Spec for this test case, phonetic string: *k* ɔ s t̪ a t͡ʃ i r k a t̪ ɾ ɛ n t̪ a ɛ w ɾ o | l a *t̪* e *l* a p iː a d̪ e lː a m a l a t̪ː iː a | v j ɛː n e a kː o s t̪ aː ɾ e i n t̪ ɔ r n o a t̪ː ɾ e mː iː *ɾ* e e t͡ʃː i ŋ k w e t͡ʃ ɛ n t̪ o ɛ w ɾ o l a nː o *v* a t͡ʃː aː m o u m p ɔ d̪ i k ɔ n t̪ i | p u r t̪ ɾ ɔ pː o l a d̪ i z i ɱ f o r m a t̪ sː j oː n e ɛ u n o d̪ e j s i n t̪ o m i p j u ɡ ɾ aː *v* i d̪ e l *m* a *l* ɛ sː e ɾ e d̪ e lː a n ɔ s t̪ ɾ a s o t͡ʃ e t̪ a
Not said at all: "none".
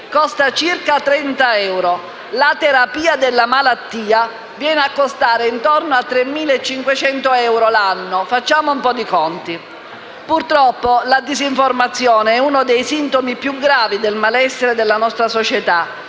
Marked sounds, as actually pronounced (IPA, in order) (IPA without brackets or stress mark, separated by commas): k, t̪, ɾ, l, f, v, m, l